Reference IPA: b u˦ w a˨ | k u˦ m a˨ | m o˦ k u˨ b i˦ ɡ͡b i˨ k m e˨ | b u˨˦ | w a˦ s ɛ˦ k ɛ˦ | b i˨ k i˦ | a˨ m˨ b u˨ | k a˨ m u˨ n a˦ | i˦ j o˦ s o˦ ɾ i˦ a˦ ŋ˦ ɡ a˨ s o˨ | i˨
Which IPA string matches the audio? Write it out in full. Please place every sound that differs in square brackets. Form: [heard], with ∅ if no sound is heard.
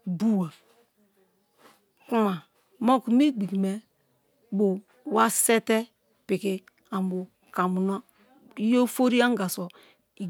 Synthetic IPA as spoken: b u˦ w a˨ | k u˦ m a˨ | m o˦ k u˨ [m] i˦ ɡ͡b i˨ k m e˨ | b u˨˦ | w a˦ s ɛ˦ [t] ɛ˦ | [p] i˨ k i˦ | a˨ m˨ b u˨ | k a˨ m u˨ n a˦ | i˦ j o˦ [f] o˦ ɾ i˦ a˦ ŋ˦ ɡ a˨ s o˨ | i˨